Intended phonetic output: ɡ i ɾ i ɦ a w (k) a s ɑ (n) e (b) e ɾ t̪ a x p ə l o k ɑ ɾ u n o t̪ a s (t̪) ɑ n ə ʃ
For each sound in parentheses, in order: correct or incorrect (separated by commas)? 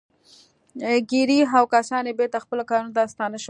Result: correct, correct, correct, correct